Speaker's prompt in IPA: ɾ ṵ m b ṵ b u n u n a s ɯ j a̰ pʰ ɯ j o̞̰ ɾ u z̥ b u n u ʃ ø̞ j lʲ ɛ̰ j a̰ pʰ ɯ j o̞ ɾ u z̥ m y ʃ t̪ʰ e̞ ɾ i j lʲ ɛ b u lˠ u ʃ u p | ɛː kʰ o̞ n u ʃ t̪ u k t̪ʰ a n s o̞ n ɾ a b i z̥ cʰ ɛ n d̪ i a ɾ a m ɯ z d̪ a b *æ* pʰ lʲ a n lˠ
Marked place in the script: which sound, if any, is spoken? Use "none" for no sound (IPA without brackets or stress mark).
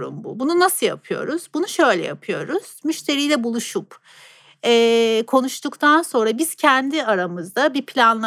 i